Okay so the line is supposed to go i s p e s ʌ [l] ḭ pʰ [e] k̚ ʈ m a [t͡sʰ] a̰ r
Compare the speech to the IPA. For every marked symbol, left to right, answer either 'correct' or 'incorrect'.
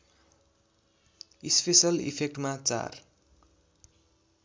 correct, correct, incorrect: t͡s

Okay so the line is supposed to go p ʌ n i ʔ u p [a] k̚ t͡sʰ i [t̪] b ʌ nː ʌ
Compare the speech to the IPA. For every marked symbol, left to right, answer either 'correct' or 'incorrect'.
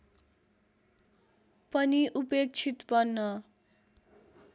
incorrect: e, correct

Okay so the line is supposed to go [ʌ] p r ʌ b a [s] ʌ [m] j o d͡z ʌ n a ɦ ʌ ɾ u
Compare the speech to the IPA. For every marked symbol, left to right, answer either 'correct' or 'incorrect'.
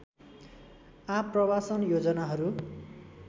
incorrect: a, correct, incorrect: n

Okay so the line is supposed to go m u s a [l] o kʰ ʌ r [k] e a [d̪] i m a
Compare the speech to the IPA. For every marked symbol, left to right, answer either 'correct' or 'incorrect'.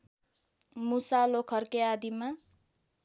correct, correct, correct

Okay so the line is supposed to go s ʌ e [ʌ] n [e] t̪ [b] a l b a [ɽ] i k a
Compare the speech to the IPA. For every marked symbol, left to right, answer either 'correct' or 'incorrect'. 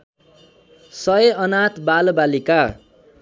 correct, incorrect: a, correct, incorrect: l

